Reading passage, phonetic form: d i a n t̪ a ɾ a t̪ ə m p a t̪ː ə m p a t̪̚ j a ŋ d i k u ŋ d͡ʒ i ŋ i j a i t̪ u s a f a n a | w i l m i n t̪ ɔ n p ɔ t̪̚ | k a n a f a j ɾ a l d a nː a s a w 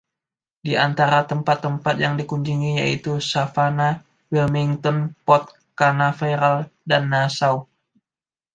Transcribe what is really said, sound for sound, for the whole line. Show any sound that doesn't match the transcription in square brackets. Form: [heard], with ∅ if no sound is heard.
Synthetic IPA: d i a n t̪ a ɾ a t̪ ə m p a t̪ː ə m p a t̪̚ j a ŋ d i k u [ɲ] d͡ʒ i ŋ i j a i t̪ u s a f a n a | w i l m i [ŋ] t̪ ɔ n p ɔ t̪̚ | k a n a f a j ɾ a l d a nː a s a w